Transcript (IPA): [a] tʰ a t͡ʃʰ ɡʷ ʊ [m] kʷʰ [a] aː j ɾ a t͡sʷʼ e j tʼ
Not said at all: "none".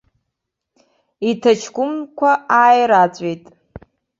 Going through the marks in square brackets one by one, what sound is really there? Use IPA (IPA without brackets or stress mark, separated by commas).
i, m, a